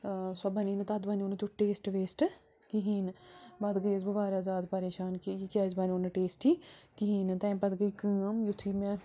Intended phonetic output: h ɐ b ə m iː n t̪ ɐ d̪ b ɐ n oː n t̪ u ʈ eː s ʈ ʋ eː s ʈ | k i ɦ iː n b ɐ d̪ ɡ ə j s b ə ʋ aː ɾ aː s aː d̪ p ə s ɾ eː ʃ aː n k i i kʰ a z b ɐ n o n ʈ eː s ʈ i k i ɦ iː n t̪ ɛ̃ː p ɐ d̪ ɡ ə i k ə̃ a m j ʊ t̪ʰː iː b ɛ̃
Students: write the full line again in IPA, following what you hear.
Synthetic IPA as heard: s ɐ b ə n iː n t̪ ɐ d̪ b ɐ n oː n t̪ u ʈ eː s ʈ ʋ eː s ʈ | k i ɦ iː n b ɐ d̪ ɡ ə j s b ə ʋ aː ɾ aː z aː d̪ p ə ɾ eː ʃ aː n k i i k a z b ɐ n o n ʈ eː s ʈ i k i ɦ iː n t̪ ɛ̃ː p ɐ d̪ ɡ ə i k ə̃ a m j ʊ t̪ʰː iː m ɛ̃